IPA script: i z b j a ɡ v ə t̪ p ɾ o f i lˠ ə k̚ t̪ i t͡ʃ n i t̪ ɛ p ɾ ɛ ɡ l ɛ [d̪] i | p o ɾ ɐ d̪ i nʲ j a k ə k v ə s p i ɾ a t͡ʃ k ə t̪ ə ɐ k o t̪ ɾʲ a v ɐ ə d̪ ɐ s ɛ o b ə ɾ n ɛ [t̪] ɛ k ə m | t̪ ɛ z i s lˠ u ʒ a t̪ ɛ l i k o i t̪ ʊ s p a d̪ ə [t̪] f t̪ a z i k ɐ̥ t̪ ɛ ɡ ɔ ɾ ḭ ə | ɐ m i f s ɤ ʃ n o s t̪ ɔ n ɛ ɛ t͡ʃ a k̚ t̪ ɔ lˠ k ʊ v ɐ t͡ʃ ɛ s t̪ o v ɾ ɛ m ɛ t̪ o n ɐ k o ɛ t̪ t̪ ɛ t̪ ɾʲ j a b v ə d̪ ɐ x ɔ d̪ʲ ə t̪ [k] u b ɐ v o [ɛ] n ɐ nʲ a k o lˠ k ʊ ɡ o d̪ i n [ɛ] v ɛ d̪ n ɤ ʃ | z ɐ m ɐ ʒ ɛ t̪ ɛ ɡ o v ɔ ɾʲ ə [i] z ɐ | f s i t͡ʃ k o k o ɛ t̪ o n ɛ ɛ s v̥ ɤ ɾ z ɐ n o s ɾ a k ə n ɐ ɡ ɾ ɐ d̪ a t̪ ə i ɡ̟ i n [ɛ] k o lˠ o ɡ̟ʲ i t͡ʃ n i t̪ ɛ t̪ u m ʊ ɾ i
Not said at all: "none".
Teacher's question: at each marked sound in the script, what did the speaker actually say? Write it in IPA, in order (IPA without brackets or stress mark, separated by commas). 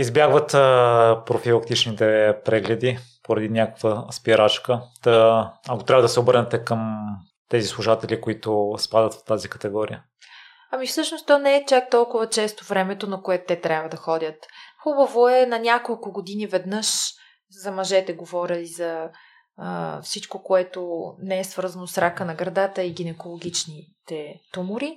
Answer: d̪, t̪, t̪, x, ɛ, i, i, ɛ